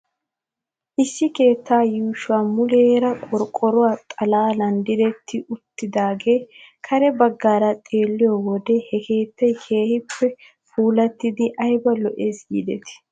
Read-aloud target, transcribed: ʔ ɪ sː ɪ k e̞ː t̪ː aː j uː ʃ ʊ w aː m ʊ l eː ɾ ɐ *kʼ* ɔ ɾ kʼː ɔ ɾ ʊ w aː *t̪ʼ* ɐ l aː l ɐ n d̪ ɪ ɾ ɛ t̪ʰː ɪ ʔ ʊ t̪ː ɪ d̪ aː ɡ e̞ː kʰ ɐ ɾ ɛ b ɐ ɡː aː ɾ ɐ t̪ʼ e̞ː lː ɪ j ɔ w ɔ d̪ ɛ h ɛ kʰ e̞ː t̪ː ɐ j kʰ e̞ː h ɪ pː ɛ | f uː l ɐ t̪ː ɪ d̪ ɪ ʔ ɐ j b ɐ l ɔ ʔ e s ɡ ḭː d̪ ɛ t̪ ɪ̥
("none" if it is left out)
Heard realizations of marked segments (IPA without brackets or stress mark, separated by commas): kʼ, t̪ʼ